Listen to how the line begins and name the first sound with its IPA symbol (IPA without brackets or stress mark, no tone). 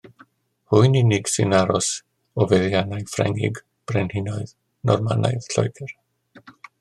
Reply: h